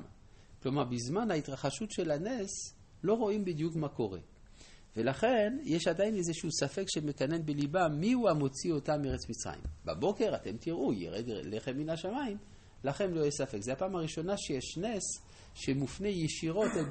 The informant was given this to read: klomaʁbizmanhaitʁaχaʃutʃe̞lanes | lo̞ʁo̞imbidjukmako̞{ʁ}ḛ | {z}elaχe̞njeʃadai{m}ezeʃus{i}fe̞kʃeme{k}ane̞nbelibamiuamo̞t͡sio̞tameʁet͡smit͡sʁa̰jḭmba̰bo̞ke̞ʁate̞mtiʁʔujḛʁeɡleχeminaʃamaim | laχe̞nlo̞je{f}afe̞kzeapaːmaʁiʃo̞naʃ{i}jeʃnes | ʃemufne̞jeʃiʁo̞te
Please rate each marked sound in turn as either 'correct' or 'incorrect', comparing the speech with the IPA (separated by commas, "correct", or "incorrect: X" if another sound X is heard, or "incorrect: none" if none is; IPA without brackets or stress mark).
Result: correct, incorrect: v, incorrect: n, incorrect: a, correct, incorrect: s, incorrect: e